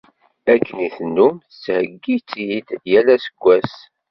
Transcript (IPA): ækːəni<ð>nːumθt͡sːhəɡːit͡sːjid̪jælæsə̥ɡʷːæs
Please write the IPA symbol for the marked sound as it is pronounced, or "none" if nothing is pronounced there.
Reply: θ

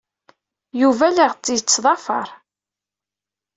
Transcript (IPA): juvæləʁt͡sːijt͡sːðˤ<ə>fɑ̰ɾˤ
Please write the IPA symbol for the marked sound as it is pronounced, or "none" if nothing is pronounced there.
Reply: ɑ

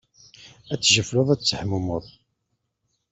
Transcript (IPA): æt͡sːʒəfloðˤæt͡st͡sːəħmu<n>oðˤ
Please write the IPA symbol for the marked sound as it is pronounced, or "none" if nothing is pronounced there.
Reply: m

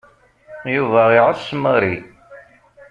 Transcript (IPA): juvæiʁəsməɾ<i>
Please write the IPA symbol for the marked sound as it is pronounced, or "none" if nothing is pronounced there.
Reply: i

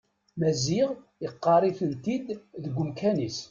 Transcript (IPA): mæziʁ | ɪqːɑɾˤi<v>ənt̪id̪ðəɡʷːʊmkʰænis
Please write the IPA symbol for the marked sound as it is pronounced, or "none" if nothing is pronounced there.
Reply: f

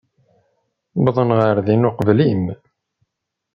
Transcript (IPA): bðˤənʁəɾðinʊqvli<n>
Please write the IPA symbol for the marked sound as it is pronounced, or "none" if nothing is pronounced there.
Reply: m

